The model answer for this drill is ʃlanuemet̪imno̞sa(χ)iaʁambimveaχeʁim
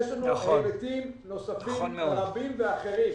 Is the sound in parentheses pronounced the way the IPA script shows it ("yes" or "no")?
no